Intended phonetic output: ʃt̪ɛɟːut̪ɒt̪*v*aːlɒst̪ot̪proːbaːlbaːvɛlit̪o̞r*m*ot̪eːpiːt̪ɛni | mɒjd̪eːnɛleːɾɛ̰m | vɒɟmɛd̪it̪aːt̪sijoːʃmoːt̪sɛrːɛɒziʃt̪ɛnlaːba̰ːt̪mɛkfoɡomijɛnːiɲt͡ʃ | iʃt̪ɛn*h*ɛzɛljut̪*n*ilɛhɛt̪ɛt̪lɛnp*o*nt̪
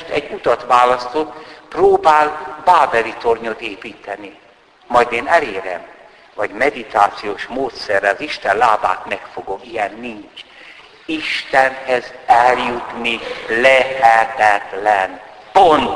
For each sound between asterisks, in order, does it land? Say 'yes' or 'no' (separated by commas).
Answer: no, no, yes, yes, yes